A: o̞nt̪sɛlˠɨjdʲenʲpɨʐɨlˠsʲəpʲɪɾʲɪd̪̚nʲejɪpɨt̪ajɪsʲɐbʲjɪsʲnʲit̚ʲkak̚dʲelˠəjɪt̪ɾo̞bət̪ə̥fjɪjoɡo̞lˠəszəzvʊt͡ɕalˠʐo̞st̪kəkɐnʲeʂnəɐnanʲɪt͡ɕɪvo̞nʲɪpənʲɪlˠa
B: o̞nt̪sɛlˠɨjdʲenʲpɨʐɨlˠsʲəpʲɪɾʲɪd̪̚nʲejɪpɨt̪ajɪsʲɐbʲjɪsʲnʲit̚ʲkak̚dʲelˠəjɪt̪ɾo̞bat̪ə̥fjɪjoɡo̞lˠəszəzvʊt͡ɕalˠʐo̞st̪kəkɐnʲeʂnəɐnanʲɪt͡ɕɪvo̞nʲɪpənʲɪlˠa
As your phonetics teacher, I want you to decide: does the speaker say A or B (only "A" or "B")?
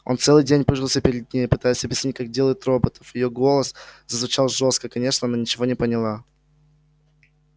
A